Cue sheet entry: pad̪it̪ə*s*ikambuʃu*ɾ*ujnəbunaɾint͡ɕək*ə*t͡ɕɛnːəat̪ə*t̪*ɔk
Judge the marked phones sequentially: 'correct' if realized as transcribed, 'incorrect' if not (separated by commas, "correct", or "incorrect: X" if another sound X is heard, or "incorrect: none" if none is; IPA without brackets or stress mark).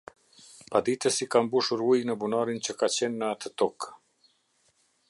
correct, correct, incorrect: a, correct